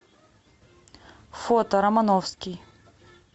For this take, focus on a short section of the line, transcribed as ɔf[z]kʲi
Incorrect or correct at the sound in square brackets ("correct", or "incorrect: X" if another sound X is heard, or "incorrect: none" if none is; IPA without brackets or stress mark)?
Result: incorrect: s